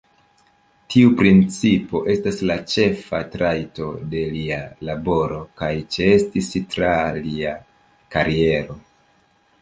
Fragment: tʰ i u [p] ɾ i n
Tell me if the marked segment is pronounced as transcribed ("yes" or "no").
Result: yes